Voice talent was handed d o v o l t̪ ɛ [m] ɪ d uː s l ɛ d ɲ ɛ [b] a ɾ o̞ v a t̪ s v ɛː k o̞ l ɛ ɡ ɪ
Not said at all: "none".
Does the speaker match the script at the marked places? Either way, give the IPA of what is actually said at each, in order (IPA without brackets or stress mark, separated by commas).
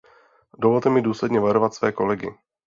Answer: m, v